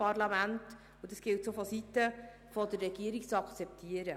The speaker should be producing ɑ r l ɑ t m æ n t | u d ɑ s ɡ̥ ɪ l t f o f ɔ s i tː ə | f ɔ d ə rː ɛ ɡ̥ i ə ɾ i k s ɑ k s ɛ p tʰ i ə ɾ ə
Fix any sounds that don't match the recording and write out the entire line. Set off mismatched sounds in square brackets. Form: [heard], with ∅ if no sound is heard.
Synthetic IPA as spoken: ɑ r l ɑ [∅] m æ n t | u d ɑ s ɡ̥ ɪ l t [s] o f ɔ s i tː ə | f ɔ d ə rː ɛ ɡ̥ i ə ɾ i k [t͡s] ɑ k [t͡s] ɛ p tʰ i ə ɾ ə